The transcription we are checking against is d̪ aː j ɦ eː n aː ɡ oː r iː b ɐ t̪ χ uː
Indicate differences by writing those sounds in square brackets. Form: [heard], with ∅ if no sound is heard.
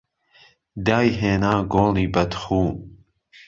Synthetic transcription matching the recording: d̪ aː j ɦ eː n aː ɡ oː [l] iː b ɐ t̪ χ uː

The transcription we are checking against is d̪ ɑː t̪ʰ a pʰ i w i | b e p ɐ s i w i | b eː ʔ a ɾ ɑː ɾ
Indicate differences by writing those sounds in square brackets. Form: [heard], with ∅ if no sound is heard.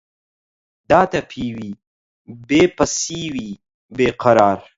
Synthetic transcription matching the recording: d̪ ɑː [t̪] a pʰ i w i | b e p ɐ s i w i | b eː [q] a ɾ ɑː ɾ

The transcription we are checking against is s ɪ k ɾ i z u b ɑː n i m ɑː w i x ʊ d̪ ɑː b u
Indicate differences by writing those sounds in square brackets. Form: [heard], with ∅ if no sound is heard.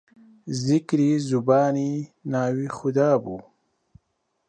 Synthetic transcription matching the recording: [z] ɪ k ɾ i z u b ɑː n i [n] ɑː w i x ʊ d̪ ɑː b u

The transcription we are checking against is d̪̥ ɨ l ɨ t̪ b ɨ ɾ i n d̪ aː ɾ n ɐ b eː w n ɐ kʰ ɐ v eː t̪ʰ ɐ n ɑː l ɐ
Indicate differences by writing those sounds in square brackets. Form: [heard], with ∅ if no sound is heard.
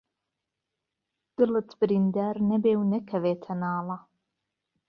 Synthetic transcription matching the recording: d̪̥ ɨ l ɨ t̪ b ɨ ɾ i n d̪ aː ɾ n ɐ b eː w n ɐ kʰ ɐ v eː t̪ʰ ɐ n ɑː l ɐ

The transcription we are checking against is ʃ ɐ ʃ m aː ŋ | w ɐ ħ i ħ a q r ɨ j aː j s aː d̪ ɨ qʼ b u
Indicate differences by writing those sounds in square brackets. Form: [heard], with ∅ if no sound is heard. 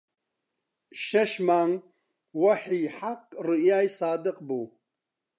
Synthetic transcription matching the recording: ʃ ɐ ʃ m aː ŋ | w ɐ ħ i ħ a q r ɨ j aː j s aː d̪ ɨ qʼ b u

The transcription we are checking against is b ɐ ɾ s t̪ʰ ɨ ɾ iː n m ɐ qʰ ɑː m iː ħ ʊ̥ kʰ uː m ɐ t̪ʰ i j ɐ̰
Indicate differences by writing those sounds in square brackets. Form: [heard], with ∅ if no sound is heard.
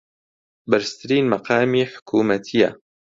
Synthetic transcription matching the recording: b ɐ ɾ s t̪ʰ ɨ ɾ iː n m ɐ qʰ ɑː m iː ħ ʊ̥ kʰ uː m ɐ t̪ʰ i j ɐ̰

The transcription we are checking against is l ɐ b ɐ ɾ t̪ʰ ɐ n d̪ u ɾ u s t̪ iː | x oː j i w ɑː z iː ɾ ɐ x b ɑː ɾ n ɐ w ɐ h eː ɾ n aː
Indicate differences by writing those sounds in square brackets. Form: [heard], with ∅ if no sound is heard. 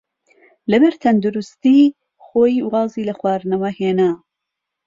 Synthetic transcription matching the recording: l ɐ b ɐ ɾ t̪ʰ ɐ n d̪ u ɾ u s t̪ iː | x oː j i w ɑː z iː [l] ɐ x [w] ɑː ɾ n ɐ w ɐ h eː [∅] n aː

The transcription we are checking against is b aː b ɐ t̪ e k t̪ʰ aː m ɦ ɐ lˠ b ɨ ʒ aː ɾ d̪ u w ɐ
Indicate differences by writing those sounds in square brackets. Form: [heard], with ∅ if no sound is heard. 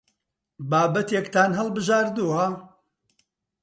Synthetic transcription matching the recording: b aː b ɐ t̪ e k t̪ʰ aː [n] ɦ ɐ lˠ b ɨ ʒ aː ɾ d̪ u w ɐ

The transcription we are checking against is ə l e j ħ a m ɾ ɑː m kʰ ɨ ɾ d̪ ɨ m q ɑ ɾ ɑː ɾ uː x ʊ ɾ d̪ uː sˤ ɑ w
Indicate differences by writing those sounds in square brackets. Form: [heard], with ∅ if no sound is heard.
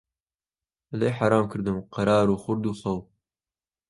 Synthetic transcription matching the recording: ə l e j ħ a [∅] ɾ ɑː m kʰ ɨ ɾ d̪ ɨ m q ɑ ɾ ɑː ɾ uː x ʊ ɾ d̪ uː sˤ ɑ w

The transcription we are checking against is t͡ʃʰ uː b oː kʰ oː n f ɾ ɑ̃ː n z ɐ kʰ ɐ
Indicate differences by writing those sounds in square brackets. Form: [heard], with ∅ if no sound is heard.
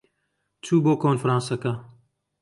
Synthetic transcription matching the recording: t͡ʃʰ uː b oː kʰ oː n f ɾ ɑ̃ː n [s] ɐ [k] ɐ

